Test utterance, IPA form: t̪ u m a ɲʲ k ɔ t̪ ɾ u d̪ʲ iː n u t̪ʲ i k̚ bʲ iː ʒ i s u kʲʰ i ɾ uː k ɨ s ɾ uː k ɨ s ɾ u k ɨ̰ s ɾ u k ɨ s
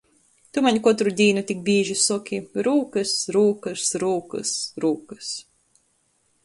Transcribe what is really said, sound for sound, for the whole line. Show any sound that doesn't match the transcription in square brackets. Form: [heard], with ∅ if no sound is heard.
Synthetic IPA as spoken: t̪ u m a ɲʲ k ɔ t̪ ɾ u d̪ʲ iː n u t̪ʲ i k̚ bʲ iː ʒ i s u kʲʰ i ɾ uː k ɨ s ɾ uː k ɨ s ɾ [uː] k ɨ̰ s ɾ [uː] k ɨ s